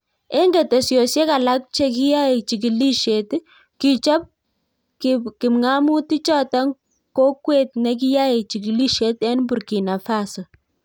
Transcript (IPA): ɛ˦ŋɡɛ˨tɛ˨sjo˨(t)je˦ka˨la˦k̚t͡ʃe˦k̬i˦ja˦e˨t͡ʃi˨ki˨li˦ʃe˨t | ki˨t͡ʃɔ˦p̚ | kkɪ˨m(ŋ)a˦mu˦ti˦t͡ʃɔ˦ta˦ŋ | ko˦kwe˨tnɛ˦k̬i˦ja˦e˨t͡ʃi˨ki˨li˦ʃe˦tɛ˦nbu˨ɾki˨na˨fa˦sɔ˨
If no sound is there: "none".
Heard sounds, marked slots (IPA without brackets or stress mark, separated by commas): s, ŋ